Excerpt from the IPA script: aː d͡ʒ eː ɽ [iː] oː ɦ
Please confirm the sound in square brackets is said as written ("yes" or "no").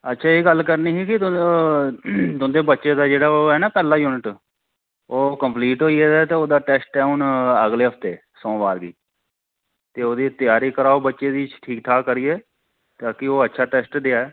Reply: no